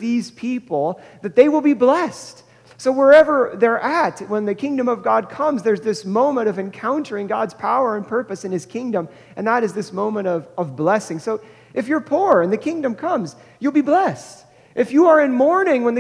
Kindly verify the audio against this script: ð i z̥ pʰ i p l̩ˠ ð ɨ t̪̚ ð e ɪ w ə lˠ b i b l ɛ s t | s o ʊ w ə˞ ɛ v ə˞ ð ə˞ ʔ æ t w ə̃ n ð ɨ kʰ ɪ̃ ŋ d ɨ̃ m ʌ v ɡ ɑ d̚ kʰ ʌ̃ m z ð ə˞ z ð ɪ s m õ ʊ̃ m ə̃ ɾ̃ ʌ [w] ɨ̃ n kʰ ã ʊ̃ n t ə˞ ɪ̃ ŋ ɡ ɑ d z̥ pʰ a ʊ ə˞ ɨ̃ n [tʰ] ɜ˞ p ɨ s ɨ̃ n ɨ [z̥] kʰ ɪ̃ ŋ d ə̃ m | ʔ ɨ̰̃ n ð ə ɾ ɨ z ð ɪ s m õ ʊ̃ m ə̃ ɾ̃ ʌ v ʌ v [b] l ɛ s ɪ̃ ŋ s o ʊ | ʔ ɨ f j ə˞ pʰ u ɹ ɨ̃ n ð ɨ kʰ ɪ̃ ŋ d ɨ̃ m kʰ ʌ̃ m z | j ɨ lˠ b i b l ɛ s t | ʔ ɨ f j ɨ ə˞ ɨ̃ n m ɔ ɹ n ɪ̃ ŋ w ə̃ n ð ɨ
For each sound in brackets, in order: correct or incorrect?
incorrect, incorrect, correct, correct

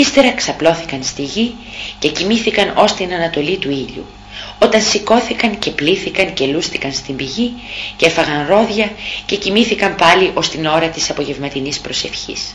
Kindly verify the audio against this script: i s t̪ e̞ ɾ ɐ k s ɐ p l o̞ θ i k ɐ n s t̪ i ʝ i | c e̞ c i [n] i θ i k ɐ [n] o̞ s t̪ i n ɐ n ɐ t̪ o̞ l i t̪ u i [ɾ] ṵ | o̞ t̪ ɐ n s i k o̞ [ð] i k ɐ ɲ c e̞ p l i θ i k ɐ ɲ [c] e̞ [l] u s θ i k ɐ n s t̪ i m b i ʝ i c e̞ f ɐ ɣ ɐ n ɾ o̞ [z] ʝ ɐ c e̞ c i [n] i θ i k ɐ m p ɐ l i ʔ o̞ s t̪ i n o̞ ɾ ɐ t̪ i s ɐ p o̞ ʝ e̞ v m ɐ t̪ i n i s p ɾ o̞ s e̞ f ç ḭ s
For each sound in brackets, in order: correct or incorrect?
incorrect, correct, incorrect, incorrect, correct, correct, incorrect, incorrect

